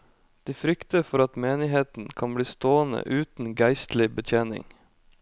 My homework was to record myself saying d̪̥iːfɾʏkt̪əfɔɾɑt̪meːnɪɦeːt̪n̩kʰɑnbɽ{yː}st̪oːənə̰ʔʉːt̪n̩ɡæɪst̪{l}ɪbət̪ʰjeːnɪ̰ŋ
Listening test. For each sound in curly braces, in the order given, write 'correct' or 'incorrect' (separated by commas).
incorrect, correct